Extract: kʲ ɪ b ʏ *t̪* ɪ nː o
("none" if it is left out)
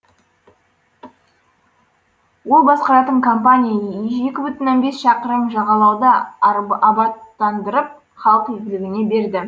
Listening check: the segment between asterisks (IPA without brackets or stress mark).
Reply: t̪